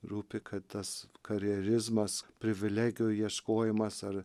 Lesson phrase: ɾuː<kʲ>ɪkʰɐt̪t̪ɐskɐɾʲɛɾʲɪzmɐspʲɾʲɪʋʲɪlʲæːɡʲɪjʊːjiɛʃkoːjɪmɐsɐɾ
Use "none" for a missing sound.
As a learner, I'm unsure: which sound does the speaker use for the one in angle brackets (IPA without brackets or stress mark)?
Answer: pʲ